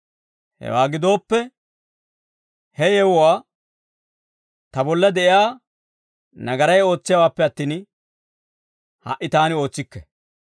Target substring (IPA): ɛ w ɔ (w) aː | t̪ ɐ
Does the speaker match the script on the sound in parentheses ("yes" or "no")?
yes